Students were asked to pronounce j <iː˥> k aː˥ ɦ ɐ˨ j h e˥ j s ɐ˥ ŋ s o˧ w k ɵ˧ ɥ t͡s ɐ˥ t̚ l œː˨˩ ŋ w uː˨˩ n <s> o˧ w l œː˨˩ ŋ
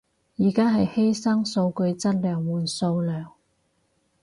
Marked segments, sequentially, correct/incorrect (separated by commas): incorrect, correct